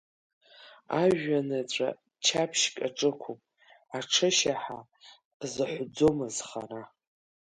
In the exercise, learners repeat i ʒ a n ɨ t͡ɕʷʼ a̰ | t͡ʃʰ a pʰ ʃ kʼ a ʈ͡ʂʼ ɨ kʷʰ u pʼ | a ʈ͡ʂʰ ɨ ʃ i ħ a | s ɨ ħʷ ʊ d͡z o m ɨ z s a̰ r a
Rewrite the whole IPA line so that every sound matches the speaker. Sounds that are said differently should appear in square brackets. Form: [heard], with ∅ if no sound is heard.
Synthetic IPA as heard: [a] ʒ a n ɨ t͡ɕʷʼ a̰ | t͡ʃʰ a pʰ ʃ kʼ a ʈ͡ʂʼ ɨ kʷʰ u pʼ | a ʈ͡ʂʰ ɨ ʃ [a] ħ a | [z] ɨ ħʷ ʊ d͡z o m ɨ z [χ] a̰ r a